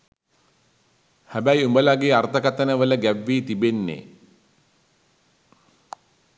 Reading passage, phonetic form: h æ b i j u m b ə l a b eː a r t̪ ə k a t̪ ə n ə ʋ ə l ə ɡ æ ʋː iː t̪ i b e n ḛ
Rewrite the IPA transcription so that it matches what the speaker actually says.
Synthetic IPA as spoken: h æ b æ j u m b ə l a ɡ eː a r t̪ ə k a t̪ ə n ə ʋ ə l ə ɡ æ ʋː iː t̪ i b e nː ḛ

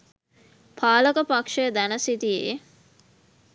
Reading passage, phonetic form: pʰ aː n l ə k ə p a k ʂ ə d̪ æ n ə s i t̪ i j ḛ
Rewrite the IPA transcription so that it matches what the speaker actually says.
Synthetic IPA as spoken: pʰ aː l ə k ə p a k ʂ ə d̪ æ n ə s i t̪ i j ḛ

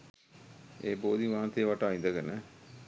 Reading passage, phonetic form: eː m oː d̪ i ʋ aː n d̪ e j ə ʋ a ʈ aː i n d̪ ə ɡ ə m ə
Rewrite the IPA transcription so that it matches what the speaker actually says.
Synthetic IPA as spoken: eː b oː d̪ i ʋ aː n t̪ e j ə ʋ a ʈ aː i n d̪ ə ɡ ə n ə

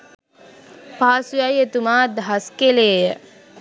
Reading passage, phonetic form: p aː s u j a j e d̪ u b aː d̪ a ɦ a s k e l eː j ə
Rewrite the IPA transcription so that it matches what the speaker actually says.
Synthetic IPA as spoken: p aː s u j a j e t̪ u m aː d̪ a ɦ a s k e l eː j ə

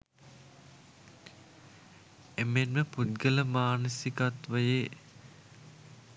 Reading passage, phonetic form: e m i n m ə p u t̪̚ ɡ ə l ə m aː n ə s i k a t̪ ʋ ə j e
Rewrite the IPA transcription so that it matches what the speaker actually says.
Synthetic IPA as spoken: e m e n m ə p u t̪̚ ɡ ə l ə m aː n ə s i k a t̪ ʋ ə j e

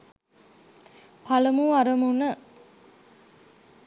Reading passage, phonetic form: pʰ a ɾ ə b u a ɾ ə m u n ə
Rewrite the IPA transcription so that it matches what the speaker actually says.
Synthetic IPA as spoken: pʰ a l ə m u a ɾ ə m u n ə

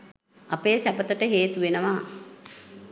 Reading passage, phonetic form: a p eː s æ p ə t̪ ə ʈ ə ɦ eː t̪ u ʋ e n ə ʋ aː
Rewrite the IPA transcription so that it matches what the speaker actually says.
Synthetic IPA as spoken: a p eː s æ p ə t̪ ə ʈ ə ɦ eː t̪ u ʋ e n ə ʋ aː

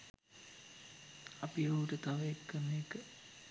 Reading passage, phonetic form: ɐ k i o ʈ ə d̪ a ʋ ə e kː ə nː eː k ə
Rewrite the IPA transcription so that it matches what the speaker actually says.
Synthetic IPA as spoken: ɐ p i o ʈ ə t̪ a ʋ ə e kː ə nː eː k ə

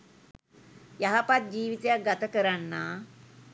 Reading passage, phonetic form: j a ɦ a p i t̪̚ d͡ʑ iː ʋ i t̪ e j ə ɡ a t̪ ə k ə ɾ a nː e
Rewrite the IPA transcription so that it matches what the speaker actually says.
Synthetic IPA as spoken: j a ɦ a p a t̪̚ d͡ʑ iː ʋ i t̪ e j a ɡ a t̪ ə k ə ɾ a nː a

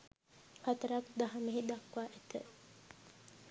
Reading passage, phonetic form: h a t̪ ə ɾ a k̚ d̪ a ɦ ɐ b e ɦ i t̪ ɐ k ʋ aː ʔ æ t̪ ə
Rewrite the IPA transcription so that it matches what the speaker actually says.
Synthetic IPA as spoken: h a t̪ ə ɾ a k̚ d̪ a ɦ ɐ m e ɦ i d̪ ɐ k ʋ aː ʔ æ t̪ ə

